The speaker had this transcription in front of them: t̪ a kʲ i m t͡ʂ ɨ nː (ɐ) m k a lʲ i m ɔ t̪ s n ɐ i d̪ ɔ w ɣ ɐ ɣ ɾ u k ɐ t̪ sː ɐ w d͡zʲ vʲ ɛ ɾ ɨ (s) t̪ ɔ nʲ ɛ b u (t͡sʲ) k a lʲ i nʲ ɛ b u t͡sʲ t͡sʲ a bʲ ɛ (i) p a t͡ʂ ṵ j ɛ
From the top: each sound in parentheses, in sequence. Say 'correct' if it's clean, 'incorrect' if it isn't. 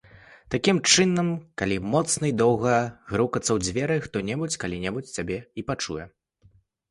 correct, incorrect, correct, correct

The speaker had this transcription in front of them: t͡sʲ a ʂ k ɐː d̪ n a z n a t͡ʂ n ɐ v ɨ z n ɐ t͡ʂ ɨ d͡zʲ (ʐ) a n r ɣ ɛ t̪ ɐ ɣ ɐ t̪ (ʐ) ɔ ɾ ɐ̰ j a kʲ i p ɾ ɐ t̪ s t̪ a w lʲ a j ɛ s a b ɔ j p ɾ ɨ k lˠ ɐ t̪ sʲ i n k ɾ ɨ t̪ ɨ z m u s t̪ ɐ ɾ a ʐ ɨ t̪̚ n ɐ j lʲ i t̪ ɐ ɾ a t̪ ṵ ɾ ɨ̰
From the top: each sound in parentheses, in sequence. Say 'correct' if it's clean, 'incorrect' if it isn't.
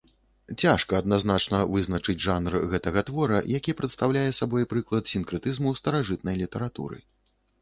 correct, incorrect

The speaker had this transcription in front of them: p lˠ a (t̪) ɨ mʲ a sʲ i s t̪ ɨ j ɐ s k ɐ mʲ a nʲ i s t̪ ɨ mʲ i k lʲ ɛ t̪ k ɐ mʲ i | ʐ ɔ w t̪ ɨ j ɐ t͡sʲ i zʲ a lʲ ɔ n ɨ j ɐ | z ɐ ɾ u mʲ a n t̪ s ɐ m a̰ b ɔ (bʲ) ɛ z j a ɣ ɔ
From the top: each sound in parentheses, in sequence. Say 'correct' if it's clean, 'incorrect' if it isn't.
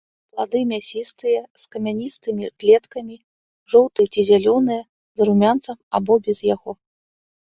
incorrect, correct

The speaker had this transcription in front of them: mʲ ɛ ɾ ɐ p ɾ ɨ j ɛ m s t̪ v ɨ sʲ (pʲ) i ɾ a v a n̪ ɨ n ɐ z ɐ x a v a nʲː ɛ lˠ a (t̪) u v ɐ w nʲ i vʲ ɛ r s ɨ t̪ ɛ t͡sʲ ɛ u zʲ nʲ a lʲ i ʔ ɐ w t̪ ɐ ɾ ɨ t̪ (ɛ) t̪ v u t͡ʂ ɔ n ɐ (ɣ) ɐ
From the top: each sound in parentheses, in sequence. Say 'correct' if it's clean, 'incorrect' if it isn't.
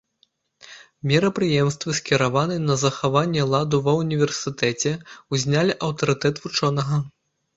incorrect, incorrect, correct, correct

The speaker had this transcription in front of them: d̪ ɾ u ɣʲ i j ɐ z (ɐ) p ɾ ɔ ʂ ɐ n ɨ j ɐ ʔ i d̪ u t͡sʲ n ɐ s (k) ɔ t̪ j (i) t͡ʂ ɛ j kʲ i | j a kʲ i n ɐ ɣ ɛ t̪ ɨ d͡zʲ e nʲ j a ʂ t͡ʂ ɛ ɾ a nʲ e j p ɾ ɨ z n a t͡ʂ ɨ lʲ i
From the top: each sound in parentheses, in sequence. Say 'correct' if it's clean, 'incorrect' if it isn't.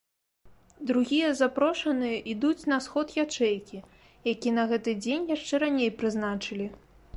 incorrect, incorrect, incorrect

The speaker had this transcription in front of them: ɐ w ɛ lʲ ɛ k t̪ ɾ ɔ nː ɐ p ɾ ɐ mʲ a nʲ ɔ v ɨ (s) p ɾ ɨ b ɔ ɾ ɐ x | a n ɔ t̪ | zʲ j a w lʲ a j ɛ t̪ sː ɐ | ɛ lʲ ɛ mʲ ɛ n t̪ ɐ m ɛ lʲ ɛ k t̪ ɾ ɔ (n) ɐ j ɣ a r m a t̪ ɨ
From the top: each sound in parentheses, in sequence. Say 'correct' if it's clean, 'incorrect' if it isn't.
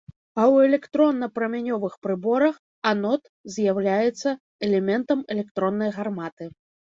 incorrect, incorrect

